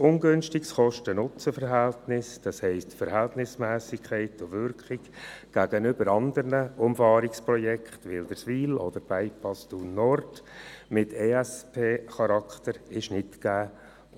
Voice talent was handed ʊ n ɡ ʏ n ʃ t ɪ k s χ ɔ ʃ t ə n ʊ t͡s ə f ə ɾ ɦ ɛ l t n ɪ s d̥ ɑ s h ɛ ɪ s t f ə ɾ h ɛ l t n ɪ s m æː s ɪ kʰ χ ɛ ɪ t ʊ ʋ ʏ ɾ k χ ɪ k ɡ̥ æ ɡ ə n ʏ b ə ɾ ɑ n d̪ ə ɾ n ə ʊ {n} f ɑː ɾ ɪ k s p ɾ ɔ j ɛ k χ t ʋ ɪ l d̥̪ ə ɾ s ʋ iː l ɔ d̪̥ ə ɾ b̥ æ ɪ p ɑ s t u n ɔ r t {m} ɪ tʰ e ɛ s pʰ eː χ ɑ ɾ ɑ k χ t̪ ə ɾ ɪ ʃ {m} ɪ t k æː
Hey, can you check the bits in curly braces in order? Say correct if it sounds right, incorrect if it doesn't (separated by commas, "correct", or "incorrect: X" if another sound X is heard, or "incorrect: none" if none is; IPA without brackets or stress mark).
incorrect: m, correct, incorrect: n